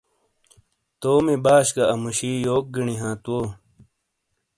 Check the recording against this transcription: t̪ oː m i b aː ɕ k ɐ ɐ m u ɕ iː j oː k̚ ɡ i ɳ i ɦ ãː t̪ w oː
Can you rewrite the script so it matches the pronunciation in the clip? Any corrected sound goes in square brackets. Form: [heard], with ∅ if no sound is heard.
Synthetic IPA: t̪ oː m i b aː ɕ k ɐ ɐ m u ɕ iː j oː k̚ ɡ i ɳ i ɦ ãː t̪ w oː